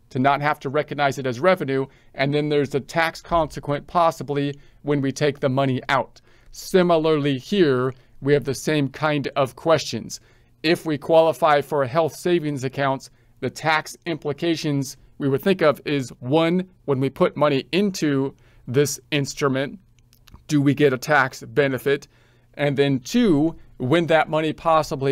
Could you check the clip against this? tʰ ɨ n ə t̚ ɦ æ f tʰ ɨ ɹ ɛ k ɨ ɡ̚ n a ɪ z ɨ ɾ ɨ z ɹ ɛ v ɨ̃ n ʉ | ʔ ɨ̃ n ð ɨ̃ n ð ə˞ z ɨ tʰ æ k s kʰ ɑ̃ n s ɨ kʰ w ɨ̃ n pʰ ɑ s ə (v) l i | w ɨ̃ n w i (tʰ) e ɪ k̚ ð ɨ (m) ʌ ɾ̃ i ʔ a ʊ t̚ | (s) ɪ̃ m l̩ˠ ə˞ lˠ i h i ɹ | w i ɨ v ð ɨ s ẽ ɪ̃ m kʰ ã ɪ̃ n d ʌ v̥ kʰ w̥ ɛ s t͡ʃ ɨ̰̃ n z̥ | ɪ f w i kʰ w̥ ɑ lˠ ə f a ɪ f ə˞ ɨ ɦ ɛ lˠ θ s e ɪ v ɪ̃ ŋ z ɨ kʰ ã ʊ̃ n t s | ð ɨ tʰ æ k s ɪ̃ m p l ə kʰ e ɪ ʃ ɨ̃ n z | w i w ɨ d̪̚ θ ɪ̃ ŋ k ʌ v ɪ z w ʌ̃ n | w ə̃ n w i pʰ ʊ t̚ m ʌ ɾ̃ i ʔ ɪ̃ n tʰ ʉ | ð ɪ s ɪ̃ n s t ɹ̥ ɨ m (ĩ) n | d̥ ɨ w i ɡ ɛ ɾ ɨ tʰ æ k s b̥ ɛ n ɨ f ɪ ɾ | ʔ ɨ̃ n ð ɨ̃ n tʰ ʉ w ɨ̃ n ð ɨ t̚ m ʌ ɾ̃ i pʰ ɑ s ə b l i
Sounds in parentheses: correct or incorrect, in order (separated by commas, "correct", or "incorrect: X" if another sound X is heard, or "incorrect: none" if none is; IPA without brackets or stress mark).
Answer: incorrect: b, correct, correct, correct, incorrect: ɨ̃